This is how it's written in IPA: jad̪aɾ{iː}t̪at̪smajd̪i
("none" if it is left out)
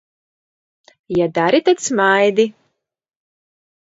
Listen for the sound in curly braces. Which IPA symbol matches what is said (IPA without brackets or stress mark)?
i